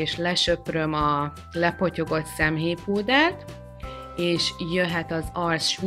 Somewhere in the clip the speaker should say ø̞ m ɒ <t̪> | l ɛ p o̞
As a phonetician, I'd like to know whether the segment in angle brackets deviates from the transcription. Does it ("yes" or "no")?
yes